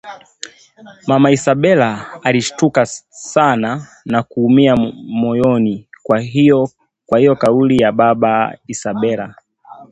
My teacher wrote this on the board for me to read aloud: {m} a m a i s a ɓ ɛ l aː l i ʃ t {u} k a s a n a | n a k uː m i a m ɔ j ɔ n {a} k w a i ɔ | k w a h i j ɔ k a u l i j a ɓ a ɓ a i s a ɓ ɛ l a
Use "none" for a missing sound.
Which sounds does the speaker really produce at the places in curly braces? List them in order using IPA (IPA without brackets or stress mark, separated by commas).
m, u, i